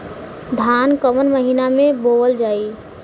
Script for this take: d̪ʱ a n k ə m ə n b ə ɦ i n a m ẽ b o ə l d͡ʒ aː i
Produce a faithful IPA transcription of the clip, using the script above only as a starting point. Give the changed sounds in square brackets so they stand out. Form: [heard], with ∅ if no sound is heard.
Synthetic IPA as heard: d̪ʱ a n k ə m ə n [m] ə ɦ i n a m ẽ b o ə l d͡ʒ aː i